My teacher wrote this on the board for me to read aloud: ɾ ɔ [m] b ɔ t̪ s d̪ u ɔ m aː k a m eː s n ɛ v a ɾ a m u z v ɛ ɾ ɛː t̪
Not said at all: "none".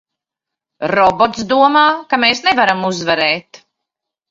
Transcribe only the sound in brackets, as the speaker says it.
none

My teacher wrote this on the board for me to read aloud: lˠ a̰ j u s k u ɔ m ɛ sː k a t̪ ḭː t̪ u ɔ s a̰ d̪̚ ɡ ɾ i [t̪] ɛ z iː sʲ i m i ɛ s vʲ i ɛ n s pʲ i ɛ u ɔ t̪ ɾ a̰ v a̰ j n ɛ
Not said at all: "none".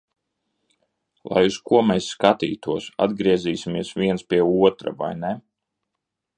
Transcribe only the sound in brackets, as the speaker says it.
none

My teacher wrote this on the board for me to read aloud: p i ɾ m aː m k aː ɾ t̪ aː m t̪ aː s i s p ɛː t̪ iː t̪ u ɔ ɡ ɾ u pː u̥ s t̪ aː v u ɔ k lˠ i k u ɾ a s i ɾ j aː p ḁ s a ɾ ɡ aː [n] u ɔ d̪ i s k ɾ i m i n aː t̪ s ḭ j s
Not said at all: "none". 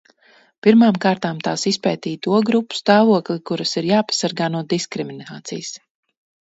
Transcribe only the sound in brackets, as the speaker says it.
n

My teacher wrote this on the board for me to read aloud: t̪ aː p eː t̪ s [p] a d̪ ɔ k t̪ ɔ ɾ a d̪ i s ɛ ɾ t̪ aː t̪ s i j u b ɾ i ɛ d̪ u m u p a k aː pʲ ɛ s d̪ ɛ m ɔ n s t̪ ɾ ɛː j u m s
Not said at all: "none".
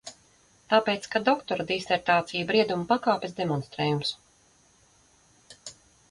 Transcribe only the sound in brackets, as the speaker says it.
k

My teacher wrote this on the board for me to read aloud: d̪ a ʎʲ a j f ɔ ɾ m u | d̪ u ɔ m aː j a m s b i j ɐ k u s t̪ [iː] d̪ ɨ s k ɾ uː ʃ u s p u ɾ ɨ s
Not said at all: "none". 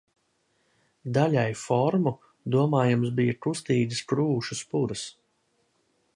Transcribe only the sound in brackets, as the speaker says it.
iː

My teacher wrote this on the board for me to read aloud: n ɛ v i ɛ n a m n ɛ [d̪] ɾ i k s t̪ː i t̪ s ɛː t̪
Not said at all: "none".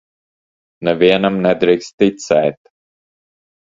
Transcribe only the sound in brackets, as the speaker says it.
d̪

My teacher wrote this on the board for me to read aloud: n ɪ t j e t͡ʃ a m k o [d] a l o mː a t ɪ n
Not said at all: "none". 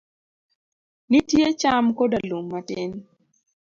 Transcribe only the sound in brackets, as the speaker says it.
d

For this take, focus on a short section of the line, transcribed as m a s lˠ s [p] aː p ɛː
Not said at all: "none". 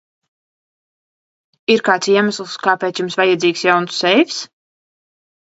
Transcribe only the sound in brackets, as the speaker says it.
k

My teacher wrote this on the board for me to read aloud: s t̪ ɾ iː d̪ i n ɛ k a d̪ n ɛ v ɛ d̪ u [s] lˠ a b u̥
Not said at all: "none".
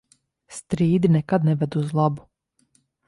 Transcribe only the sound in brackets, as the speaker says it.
z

